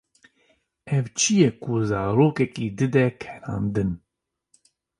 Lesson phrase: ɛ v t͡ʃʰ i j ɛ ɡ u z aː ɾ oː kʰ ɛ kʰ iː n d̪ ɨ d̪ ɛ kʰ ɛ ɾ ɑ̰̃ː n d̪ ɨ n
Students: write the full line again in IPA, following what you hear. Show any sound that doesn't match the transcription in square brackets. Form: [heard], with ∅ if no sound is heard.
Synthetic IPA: ɛ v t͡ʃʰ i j ɛ [k] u z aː ɾ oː [k] ɛ [k] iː [∅] d̪ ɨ d̪ ɛ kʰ ɛ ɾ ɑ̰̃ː n d̪ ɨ n